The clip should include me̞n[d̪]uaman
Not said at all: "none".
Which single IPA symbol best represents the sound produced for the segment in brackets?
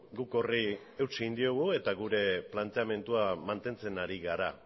t̪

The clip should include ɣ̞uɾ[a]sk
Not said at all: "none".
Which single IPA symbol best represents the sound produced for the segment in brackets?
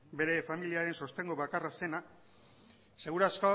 a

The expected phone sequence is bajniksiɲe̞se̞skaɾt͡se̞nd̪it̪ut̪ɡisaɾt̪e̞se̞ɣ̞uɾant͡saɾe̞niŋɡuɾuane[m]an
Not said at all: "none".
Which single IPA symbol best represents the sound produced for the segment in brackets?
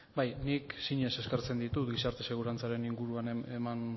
m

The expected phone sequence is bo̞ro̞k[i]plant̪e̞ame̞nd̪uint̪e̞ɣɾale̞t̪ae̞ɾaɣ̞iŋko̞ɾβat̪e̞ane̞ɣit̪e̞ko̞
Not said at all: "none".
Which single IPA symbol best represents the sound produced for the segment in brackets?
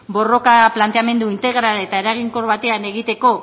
a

